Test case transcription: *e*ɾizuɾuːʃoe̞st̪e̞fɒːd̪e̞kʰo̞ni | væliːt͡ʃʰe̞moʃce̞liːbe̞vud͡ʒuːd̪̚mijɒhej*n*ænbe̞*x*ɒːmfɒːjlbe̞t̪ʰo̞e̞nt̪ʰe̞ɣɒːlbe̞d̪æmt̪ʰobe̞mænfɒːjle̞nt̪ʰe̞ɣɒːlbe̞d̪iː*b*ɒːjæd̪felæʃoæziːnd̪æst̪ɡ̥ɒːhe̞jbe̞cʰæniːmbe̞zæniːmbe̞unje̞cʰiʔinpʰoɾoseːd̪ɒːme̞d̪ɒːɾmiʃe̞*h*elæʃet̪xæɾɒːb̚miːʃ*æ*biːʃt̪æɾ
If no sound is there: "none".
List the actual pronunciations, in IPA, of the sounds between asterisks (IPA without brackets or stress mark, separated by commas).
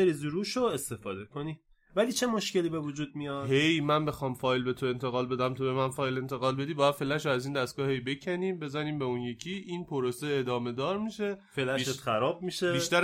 e, m, x, b, f, e